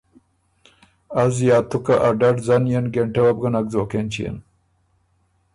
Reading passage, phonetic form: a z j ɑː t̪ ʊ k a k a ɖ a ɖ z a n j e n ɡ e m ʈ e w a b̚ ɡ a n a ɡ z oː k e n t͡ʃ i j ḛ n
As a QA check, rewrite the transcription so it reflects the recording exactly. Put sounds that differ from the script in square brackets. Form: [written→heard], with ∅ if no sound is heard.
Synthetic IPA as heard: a z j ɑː t̪ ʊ k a [k→ʔ] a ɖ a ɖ z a n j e n ɡ e [m→ɳ] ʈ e w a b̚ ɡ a n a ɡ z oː k e n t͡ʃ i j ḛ n